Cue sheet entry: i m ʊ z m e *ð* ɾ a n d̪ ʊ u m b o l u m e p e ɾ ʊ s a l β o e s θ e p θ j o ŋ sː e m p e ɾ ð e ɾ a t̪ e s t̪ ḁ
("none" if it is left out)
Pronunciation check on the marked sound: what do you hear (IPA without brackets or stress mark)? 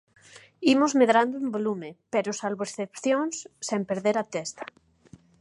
ð